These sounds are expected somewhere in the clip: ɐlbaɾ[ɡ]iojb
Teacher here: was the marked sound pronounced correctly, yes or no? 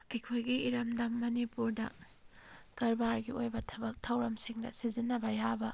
yes